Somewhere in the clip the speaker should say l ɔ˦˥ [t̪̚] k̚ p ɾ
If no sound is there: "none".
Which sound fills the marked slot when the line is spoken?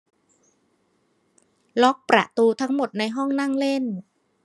none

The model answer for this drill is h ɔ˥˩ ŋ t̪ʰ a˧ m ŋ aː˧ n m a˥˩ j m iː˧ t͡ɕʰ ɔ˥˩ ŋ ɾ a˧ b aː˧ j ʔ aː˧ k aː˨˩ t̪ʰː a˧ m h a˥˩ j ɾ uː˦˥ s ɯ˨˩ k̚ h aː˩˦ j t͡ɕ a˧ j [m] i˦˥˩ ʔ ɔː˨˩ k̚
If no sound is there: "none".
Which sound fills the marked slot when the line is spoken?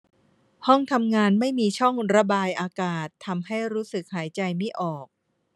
m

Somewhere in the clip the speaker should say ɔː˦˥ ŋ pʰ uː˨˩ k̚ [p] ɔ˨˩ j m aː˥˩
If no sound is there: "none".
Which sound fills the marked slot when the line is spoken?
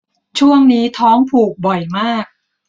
b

